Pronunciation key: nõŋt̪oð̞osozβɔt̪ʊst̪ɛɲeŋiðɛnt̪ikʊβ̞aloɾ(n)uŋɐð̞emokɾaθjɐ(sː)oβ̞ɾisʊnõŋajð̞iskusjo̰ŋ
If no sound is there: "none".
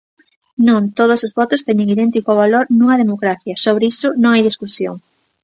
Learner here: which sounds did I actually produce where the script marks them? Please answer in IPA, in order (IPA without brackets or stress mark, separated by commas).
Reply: n, s